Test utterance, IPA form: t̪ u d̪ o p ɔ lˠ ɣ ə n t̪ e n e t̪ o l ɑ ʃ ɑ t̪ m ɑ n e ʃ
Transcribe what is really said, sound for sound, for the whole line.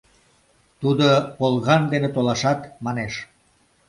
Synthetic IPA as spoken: t̪ u d̪ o p o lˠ ɣ ɑ n d̪ e n e t̪ o l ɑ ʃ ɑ t̪ m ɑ n e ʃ